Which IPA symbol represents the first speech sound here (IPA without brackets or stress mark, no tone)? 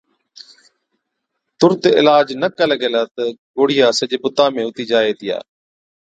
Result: t̪